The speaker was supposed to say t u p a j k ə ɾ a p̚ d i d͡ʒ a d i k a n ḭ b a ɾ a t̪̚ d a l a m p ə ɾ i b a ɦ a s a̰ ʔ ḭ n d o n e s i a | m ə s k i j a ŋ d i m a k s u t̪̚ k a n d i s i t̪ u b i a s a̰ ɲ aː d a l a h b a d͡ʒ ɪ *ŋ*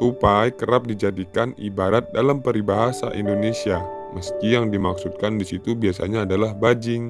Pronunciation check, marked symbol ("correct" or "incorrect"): correct